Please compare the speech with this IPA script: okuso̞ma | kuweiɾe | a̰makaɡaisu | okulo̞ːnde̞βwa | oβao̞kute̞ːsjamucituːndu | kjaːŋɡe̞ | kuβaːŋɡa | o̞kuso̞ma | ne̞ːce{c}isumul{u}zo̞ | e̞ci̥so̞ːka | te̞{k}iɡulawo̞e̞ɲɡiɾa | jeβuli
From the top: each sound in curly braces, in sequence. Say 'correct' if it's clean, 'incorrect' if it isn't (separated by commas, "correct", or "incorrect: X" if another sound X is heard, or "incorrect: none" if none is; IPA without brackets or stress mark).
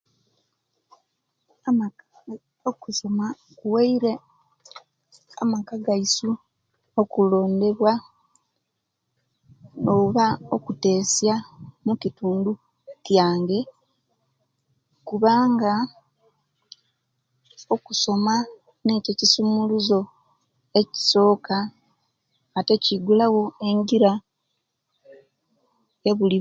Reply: correct, correct, incorrect: c